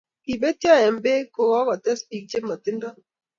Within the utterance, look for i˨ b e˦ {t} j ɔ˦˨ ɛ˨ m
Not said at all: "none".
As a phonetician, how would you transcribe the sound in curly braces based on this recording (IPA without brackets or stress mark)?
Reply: t